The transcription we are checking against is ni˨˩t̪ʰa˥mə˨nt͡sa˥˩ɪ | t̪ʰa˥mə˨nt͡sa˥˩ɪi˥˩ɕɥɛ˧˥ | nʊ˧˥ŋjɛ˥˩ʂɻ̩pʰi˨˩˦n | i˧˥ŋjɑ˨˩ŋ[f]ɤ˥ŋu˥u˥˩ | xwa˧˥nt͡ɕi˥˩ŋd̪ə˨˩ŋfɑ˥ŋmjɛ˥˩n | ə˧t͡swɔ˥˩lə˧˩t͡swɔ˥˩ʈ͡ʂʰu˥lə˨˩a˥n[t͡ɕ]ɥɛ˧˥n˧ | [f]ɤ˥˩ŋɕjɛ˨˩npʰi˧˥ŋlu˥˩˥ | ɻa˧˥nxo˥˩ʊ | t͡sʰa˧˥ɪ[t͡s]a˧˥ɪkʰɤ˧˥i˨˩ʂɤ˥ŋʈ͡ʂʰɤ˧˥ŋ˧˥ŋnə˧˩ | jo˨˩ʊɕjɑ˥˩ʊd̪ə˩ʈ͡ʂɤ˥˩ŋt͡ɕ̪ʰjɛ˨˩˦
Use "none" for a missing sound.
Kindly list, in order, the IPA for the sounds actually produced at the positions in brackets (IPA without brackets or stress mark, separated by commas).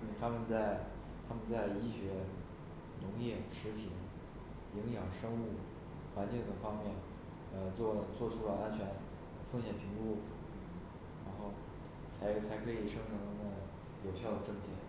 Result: ʂ, t͡ɕʰ, f, t͡sʰ